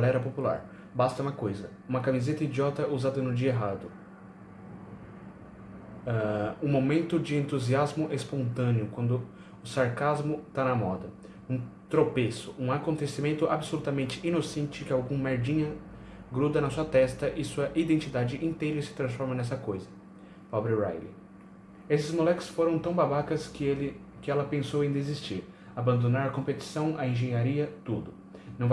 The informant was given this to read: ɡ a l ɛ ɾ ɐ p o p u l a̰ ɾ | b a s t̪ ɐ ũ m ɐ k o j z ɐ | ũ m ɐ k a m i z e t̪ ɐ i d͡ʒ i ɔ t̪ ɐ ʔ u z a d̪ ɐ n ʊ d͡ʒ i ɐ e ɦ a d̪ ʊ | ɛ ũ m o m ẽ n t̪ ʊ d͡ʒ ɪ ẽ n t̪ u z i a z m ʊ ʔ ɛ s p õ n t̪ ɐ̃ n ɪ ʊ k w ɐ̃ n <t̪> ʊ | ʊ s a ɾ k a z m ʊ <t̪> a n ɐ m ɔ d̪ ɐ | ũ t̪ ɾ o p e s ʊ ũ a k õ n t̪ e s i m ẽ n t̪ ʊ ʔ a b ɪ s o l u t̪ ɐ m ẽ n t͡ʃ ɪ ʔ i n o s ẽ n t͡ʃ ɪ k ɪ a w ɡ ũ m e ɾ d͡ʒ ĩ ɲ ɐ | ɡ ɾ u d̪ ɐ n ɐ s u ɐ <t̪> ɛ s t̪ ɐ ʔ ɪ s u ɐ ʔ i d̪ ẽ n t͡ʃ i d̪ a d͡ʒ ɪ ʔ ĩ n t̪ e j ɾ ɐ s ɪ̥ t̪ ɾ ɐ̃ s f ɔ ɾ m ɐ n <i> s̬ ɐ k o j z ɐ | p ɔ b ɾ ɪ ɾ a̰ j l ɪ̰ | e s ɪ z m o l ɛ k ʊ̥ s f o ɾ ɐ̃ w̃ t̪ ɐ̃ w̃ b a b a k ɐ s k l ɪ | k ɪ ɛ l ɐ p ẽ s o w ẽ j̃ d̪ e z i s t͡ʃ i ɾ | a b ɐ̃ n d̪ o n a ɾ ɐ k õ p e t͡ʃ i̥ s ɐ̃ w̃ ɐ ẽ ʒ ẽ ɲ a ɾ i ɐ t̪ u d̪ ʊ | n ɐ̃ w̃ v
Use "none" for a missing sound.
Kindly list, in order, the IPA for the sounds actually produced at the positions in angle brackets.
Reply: d̪, t̪, t̪, ɛ

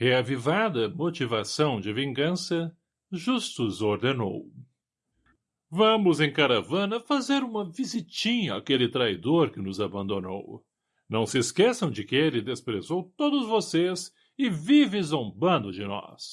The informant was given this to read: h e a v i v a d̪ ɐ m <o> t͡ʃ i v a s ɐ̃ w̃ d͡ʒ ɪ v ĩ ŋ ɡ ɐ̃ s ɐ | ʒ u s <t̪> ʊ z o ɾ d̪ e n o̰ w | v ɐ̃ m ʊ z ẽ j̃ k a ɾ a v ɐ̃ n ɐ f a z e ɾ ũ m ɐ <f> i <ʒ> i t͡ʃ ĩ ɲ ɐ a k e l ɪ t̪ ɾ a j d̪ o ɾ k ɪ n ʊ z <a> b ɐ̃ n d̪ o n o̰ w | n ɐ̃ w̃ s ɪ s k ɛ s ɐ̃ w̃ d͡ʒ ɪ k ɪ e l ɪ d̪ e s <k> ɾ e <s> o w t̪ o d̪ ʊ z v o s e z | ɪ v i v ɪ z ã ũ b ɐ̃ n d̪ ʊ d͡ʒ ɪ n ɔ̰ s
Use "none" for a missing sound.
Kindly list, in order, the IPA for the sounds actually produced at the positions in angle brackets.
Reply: o, t̪, v, z, a, p, z

